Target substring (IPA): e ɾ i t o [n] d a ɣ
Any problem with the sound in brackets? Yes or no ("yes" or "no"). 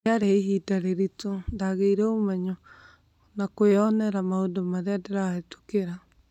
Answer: no